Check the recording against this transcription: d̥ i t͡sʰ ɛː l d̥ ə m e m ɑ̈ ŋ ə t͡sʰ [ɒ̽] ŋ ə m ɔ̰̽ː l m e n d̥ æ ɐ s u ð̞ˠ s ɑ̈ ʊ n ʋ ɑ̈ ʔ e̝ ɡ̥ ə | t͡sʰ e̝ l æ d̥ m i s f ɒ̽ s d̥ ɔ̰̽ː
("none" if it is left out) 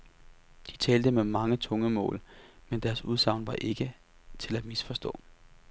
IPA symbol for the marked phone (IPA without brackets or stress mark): ɔ̽